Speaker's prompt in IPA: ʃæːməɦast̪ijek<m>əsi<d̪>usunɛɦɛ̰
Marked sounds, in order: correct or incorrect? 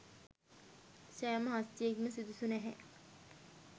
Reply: correct, correct

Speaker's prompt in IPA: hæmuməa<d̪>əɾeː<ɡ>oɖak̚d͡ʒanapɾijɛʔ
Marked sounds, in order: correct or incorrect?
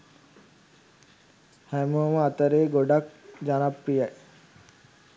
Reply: incorrect, correct

